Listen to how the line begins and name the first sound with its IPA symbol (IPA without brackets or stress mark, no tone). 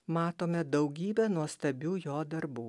m